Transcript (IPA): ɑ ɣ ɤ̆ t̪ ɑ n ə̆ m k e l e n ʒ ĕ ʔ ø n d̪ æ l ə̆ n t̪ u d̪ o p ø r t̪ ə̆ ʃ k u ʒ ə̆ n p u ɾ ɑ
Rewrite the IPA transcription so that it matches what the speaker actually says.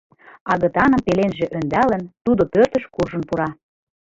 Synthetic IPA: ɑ ɣ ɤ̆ t̪ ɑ n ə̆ m p e l e n ʒ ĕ ʔ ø n d̪ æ l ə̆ n t̪ u d̪ o p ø r t̪ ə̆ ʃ k u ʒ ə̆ n p u ɾ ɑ